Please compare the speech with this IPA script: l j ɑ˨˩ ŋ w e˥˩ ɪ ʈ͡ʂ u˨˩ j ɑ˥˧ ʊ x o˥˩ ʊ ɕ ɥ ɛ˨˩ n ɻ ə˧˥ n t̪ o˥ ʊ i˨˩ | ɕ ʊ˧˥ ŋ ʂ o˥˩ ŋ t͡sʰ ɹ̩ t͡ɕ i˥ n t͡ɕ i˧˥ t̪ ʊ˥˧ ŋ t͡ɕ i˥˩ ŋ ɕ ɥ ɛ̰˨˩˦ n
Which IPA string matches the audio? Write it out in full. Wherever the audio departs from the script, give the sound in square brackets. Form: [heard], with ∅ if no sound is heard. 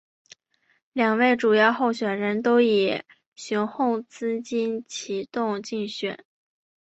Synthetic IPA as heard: l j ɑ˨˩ ŋ w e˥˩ ɪ ʈ͡ʂ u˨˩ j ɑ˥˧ ʊ x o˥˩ ʊ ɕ ɥ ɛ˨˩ n ɻ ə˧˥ n t̪ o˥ ʊ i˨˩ | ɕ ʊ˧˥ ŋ [x] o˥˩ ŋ [t͡s] ɹ̩ t͡ɕ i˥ n [t͡ɕʰ] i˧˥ t̪ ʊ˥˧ ŋ t͡ɕ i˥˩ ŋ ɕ ɥ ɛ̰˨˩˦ n